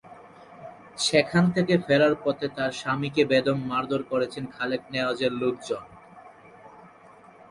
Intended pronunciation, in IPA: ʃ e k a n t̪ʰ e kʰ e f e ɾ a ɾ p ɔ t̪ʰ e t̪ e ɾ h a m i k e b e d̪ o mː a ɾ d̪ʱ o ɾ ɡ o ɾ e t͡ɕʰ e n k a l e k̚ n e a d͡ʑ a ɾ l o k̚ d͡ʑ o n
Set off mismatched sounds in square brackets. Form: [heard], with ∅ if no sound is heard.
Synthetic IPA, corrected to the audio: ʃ e [kʰ] a n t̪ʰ e [k] e f e ɾ a ɾ p ɔ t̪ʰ e t̪ [a] ɾ [ʃ] a m i k e b e d̪ o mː a ɾ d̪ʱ o ɾ [k] o ɾ e t͡ɕʰ e n [kʰ] a l e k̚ n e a d͡ʑ [e] ɾ l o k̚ d͡ʑ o n